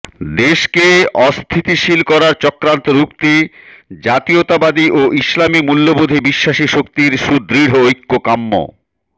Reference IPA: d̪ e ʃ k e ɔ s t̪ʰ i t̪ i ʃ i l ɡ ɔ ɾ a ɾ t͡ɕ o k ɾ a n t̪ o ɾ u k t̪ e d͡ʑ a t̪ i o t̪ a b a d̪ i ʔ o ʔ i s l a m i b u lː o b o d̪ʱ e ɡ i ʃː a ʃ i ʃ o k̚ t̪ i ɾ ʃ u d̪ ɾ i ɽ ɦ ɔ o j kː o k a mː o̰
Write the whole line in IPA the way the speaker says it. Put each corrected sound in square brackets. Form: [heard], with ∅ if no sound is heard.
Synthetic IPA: d̪ e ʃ k e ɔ s t̪ʰ i t̪ i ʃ i l [k] ɔ ɾ a ɾ t͡ɕ [ɔ] k ɾ a n t̪ o ɾ u k t̪ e d͡ʑ a t̪ i o t̪ a b a d̪ i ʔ o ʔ i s l a m i [m] u lː o b o d̪ʱ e [b] i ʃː a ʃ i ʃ o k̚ t̪ i ɾ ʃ u d̪ ɾ i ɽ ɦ [o] o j kː o k a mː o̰